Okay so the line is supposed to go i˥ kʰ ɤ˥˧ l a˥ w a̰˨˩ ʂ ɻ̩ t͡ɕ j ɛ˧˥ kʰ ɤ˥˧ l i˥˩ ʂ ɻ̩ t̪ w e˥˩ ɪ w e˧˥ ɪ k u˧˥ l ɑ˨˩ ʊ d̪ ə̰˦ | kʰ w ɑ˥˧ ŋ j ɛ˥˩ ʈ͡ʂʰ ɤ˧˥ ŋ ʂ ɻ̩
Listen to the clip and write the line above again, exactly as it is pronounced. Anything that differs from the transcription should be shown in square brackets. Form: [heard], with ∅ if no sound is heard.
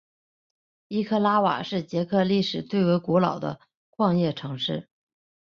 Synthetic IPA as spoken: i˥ kʰ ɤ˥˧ l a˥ w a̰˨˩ ʂ ɻ̩ t͡ɕ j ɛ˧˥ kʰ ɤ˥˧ l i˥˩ ʂ ɻ̩ t̪ w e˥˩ ɪ w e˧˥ ɪ k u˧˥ l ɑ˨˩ ʊ d̪ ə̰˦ | kʰ w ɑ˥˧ ŋ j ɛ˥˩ ʈ͡ʂʰ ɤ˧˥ ŋ ʂ ɻ̩